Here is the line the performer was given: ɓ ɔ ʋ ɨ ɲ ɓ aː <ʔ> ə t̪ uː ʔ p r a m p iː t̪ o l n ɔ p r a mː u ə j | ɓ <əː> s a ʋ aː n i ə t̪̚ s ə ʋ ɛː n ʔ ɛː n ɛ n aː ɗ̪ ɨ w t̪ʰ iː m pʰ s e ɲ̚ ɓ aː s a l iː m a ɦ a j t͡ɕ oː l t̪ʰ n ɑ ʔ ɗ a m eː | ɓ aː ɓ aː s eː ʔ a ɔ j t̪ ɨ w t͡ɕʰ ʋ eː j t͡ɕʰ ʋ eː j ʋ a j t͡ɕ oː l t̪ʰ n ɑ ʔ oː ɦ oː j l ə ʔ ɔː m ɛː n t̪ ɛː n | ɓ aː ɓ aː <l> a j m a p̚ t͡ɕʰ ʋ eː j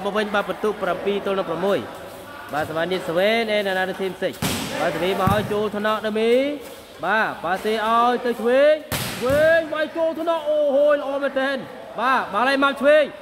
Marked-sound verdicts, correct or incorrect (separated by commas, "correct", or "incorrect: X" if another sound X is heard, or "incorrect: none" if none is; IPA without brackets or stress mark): incorrect: p, incorrect: aː, correct